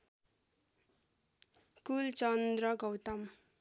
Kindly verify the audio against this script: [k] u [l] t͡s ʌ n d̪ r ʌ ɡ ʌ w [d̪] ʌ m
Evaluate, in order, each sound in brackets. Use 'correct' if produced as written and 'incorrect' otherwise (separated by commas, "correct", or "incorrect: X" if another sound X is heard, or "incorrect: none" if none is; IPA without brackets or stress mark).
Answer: correct, correct, incorrect: t̪